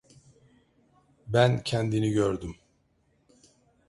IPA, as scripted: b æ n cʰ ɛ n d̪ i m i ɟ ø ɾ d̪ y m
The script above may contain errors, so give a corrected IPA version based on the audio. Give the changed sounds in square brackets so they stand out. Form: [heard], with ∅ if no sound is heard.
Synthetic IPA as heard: b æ n cʰ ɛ n d̪ i [n] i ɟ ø ɾ d̪ y m